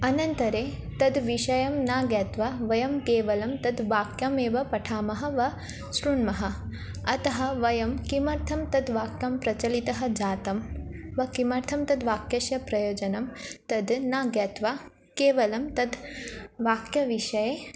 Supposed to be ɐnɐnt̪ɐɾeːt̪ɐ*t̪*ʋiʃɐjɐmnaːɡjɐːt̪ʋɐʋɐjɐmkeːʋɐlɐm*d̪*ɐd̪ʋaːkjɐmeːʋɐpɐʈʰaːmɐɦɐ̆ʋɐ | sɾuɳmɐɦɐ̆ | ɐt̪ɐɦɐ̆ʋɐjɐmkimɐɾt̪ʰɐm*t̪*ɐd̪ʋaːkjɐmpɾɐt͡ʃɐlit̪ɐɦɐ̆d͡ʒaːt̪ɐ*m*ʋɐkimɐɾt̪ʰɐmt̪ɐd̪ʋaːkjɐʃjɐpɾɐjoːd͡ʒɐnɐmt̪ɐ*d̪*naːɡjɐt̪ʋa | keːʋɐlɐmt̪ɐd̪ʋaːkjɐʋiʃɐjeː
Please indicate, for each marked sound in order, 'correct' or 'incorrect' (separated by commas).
incorrect, incorrect, correct, correct, correct